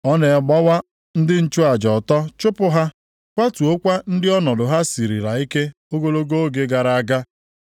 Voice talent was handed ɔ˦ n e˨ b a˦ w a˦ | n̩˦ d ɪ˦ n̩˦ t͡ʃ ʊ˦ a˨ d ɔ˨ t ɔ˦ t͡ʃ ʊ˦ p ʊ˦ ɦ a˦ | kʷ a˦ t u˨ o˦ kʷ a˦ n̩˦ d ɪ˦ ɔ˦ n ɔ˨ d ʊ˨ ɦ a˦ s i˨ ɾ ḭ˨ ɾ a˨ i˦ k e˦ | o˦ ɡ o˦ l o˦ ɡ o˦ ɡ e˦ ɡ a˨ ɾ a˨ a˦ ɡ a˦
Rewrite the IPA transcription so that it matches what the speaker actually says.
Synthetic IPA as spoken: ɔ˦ n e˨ ɡ͡b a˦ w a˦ | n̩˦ d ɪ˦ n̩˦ t͡ʃ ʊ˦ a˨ d͡ʒ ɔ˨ t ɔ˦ t͡ʃ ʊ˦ p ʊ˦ ɦ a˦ | kʷ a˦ t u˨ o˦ kʷ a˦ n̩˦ d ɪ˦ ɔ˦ n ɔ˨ d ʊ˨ ɦ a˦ s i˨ ɾ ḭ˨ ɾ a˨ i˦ k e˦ | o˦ ɡ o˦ l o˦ ɡ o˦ ɡ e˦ ɡ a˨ ɾ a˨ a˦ ɡ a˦